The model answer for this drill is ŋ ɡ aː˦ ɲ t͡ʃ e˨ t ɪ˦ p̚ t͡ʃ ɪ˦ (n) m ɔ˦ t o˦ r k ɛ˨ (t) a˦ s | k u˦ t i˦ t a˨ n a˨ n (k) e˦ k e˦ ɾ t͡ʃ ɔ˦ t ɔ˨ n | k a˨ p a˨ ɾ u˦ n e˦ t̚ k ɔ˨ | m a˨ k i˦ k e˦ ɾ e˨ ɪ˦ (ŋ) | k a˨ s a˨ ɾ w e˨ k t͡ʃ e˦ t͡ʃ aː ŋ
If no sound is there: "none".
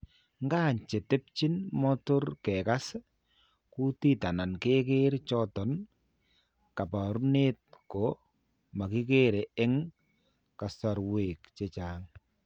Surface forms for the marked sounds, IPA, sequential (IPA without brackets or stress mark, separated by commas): n, k, k, ŋ